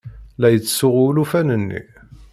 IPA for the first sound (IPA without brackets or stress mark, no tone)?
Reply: l